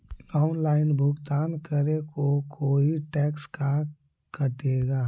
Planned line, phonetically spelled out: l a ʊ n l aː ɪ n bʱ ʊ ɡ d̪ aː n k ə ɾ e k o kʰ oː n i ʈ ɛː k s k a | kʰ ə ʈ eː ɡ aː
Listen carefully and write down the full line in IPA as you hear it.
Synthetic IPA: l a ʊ n l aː ɪ n bʱ ʊ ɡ t̪ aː n k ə ɾ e k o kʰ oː i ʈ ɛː k s k a | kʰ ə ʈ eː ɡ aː